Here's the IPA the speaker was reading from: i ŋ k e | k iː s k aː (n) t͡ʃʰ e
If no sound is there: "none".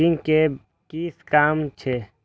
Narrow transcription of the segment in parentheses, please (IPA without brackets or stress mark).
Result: m